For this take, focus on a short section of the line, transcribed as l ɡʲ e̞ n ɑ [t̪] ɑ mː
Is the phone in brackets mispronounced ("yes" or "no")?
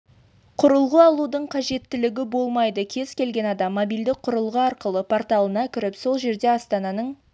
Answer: yes